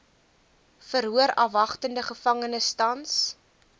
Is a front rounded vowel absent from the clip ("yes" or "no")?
yes